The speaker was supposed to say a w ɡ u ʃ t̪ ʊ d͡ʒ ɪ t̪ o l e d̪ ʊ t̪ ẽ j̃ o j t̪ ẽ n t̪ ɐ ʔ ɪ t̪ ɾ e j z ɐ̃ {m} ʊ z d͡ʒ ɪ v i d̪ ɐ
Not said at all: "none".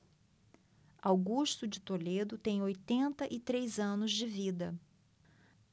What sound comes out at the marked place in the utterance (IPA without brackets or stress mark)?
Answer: n